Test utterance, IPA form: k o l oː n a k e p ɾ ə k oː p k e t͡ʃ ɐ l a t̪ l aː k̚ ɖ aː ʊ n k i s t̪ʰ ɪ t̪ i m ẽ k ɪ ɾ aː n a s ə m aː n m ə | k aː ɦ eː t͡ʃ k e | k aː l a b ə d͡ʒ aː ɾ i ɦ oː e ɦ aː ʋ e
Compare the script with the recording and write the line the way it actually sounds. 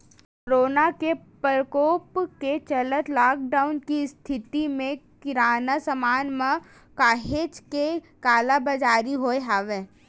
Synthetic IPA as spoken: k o ɾ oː n a k e p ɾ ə k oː p k e t͡ʃ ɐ l ə t̪ l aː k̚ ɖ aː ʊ n k i s t̪ʰ ɪ t̪ i m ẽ k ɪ ɾ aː n a s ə m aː n m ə | k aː ɦ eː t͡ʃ k e | k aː l a b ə d͡ʒ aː ɾ i ɦ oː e ɦ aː ʋ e